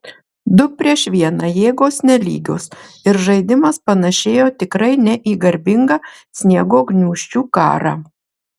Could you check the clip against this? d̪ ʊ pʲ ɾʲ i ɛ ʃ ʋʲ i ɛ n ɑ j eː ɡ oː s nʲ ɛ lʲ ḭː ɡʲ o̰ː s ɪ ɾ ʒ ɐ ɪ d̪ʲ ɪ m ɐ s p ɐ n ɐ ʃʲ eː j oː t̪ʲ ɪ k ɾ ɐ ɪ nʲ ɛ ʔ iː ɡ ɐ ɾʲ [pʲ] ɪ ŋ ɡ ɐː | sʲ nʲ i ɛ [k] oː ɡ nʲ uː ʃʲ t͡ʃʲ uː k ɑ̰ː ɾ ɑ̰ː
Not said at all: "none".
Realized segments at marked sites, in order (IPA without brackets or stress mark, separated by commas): bʲ, ɡ